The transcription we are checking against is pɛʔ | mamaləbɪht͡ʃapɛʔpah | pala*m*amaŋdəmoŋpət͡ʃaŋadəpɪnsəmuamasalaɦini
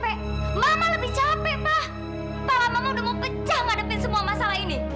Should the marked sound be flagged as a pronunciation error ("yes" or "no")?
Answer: no